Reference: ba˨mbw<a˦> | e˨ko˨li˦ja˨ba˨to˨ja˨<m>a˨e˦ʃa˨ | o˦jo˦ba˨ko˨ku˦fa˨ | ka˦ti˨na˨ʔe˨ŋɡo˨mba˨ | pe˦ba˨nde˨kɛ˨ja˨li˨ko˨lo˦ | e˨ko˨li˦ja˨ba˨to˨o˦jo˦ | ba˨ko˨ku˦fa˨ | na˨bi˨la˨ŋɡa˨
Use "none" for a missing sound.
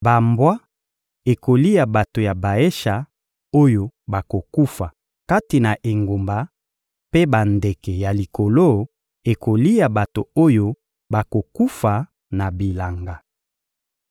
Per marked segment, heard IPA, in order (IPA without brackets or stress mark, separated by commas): a˦, b